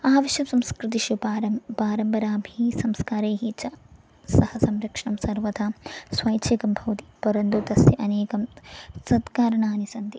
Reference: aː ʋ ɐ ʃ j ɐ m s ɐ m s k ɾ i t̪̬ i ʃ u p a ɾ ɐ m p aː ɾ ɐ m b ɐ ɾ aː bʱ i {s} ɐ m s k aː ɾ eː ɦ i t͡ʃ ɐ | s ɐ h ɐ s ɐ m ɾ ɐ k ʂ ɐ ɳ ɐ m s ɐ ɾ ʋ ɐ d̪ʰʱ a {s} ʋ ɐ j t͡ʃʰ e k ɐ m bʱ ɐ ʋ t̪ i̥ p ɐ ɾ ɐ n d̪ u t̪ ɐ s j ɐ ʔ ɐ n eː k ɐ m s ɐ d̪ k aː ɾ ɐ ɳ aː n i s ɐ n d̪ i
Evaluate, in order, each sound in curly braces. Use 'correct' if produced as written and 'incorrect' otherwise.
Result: correct, correct

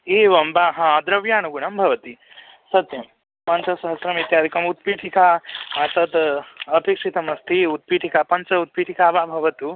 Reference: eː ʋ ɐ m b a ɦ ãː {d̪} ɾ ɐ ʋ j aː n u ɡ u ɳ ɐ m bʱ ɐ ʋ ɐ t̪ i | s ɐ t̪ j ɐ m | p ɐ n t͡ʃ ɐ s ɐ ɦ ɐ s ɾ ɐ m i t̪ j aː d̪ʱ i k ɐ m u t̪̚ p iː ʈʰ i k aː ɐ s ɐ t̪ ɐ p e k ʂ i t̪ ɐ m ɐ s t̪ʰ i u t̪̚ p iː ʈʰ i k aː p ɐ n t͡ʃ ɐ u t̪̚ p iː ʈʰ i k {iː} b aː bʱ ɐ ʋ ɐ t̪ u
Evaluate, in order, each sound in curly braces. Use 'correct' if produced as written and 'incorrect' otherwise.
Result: correct, incorrect: aː

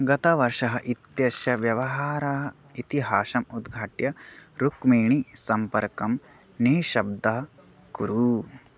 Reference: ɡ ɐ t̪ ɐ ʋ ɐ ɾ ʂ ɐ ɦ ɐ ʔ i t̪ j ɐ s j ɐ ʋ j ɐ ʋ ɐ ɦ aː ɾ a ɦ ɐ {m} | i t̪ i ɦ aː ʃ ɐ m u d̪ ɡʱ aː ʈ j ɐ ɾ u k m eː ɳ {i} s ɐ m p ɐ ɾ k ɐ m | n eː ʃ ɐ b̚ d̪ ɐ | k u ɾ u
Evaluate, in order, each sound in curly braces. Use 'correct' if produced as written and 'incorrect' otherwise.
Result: incorrect: none, correct

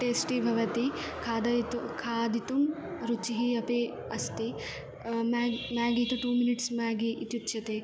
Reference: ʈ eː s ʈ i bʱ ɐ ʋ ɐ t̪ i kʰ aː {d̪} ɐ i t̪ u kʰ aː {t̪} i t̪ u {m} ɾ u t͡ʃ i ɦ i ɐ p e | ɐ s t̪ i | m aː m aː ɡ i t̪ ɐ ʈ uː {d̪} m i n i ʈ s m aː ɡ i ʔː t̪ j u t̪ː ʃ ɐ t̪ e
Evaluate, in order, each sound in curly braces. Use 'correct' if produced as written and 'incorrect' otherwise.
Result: correct, incorrect: d̪, correct, incorrect: none

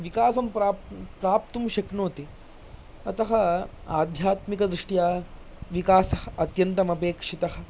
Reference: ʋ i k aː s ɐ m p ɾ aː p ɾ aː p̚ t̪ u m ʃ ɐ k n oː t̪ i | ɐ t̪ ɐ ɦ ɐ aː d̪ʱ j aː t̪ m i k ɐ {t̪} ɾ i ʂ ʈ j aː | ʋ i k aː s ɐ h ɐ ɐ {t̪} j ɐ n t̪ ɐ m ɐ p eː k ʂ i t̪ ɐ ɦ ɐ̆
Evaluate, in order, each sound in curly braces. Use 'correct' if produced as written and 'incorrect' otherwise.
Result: incorrect: d̪, correct

